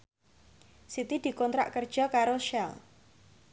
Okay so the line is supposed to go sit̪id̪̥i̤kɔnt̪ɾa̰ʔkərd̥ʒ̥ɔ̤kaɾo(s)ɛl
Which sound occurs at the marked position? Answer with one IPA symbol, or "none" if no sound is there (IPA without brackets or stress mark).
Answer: ʃ